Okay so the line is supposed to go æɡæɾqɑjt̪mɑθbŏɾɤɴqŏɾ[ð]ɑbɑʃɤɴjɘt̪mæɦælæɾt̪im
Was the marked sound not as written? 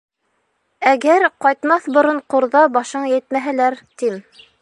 no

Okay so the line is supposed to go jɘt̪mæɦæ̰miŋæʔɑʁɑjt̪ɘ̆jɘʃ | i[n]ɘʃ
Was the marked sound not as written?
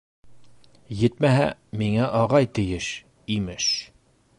yes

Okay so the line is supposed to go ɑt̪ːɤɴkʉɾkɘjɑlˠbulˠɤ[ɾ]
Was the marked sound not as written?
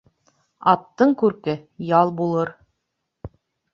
no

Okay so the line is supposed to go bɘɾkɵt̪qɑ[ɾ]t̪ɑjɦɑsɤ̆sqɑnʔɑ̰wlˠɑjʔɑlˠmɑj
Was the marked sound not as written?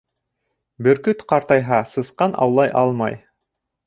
no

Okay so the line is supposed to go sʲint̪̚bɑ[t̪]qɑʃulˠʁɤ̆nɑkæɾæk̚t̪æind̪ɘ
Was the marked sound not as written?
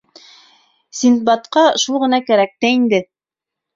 no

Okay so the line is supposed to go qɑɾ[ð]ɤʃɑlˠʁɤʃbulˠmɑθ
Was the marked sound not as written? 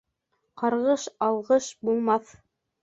yes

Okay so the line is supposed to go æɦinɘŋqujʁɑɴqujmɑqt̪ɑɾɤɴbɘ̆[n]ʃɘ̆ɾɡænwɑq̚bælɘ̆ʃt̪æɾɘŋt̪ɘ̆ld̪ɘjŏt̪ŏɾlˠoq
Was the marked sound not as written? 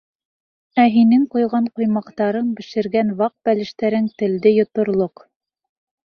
yes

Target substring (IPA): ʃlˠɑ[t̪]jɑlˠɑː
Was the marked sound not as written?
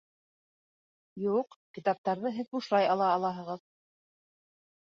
yes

